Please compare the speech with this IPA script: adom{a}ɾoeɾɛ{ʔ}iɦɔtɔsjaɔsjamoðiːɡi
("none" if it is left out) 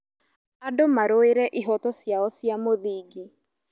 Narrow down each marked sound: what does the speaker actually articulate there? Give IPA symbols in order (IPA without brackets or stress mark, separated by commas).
a, ʔ